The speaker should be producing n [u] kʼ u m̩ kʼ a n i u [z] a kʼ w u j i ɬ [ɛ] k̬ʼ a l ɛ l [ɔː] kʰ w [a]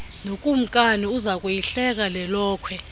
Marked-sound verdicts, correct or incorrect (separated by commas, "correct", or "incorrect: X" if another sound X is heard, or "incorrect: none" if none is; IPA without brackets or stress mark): incorrect: o, correct, correct, correct, incorrect: ɛ